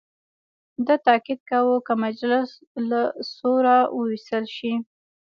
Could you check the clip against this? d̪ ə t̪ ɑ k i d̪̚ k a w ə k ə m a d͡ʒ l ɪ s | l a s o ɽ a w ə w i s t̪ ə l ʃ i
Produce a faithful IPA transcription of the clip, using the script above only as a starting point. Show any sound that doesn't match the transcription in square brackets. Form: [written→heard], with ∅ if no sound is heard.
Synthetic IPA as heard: d̪ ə t̪ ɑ k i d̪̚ k a w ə k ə m a d͡ʒ l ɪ s | l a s o [ɽ→ɾ] a w ə w i s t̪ ə l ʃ i

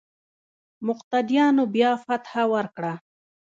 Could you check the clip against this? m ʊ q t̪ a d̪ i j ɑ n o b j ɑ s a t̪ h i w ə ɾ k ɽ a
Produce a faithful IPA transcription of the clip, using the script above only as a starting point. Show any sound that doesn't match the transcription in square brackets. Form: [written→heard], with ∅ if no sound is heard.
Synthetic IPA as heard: m ʊ q t̪ a d̪ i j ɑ n o b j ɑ [s→f] a t̪ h [i→a] w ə ɾ k ɽ a

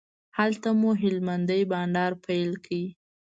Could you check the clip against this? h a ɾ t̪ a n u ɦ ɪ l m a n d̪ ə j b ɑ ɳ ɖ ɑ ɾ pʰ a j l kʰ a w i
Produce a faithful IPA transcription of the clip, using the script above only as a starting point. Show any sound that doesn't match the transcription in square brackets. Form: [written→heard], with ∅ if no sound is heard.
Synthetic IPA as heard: h a [ɾ→l] t̪ a [n→m] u ɦ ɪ l m a n d̪ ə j b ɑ ɳ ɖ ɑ ɾ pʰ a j l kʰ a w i

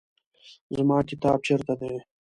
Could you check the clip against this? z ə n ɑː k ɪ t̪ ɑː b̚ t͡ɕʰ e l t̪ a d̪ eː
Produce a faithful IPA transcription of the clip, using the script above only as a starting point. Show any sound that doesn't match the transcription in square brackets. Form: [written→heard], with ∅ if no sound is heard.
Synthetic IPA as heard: z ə [n→m] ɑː k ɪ t̪ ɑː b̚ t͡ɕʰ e [l→ɾ] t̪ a d̪ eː

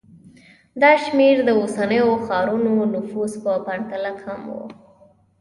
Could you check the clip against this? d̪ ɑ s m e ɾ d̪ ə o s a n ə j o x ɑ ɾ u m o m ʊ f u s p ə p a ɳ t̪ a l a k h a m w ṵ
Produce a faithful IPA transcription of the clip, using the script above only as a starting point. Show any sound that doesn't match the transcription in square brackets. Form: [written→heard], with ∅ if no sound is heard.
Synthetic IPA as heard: d̪ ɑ [s→ʃ] m e ɾ d̪ ə o s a n ə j o x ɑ ɾ u [m→n] o [m→n] ʊ f u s p ə p a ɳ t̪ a l a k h a m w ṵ

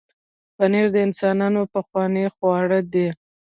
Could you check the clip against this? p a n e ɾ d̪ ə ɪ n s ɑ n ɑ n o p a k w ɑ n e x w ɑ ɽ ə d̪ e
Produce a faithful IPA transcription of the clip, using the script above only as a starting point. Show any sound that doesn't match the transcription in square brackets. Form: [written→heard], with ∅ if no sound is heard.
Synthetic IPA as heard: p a n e ɾ d̪ ə ɪ n s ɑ n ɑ n o p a [k→x] w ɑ n e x w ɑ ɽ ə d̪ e

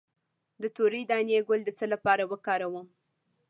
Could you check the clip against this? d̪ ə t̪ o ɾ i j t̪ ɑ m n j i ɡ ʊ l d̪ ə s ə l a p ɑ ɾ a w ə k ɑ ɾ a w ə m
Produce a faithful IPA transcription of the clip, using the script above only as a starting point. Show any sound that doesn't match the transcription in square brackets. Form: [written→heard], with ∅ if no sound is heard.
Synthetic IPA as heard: d̪ ə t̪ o ɾ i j [t̪→d̪] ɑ [m→∅] n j [i→e] ɡ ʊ l d̪ ə [s→t͡s] ə l a p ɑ ɾ a w ə k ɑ ɾ a w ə m

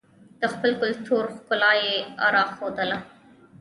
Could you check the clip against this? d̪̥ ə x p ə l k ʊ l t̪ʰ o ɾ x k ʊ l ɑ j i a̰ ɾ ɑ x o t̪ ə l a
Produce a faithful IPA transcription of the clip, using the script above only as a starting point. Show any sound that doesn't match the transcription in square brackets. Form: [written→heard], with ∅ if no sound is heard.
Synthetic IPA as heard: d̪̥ ə x p ə l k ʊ l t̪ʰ o ɾ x k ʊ l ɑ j [i→e] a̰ ɾ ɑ x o [t̪→d̪] ə l a

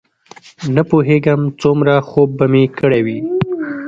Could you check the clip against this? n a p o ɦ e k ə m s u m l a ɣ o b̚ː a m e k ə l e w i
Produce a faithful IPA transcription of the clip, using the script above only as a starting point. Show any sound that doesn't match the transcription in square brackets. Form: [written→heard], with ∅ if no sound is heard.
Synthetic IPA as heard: n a p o ɦ e [k→ɡ] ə m [s→t͡s] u m [l→ɾ] a [ɣ→x] o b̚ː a m e k ə [l→ɽ] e w i

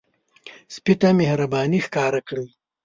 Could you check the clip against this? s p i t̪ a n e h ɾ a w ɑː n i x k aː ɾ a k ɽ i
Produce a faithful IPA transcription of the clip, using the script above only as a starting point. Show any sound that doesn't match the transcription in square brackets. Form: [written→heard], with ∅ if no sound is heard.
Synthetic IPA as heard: s p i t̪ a [n→m] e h ɾ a [w→b] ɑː n i x k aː ɾ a k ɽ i

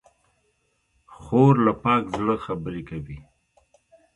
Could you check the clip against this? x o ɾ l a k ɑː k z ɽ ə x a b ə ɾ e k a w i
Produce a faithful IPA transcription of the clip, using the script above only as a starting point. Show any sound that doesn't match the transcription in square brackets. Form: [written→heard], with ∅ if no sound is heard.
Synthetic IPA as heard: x o ɾ l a [k→p] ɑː k z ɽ ə x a b ə ɾ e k a w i

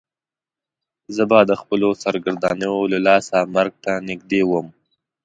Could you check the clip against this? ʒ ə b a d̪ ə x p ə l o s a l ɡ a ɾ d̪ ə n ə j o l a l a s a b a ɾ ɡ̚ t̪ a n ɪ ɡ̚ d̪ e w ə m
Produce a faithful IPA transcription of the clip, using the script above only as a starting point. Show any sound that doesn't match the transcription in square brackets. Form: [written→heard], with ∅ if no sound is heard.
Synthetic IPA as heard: [ʒ→z] ə b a d̪ ə x p ə l o s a [l→ɾ] ɡ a ɾ d̪ [ə→ɑ] n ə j o l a l [a→ɑ] s a [b→m] a ɾ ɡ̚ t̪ a n ɪ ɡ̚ d̪ e w ə m

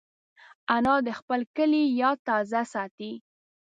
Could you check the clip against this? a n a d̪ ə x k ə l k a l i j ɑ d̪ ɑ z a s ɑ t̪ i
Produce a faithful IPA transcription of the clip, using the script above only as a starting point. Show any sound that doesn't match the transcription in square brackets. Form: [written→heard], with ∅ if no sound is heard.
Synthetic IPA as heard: a n [a→ɑ] d̪ ə x [k→p] ə l k [a→ə] l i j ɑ [d̪→t̪] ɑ z a s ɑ t̪ i

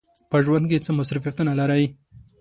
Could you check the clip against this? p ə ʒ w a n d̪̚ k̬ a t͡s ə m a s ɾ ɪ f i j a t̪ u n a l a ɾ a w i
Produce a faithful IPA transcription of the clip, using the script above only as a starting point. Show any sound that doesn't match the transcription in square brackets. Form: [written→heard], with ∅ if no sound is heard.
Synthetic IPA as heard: p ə ʒ w a n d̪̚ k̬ [a→e] t͡s ə m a s ɾ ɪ f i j a t̪ u n a l a ɾ a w i

